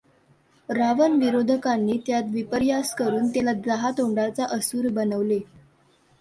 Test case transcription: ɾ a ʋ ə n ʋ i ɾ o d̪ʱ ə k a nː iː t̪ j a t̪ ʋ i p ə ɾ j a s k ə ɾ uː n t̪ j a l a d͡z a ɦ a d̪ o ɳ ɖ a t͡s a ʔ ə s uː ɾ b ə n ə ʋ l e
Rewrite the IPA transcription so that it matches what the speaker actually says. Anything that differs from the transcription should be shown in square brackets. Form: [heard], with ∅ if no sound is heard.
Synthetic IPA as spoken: ɾ a ʋ ə n ʋ i ɾ o d̪ʱ ə k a nː iː t̪ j a t̪ ʋ i p ə ɾ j a s k ə ɾ uː n t̪ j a l a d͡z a ɦ a [t̪] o ɳ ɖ a t͡s a ʔ ə s uː ɾ b ə n ə ʋ l e